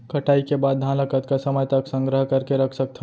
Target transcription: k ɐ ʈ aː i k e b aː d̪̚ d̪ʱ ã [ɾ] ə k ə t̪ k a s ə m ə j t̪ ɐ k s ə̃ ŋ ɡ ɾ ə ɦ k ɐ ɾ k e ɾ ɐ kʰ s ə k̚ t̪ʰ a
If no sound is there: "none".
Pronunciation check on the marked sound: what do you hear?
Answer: l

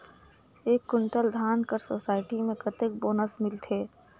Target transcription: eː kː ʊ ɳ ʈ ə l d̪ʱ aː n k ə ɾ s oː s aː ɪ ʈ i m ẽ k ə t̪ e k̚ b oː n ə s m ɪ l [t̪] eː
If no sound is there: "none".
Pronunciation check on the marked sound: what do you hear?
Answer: t̪ʰ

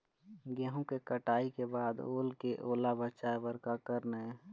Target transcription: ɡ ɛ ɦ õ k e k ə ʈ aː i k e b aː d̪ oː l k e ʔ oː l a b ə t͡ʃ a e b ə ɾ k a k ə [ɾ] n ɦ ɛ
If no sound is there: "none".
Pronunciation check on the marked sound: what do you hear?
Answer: ɾ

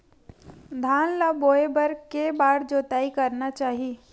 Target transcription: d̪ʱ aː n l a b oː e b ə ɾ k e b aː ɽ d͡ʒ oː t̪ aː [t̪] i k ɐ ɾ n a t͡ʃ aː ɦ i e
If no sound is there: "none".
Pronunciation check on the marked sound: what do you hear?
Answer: none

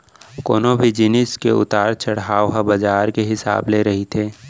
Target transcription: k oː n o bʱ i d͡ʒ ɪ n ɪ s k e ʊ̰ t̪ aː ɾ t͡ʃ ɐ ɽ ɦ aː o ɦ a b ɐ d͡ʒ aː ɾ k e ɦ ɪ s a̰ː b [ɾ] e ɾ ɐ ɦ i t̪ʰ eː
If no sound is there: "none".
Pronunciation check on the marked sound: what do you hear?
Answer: l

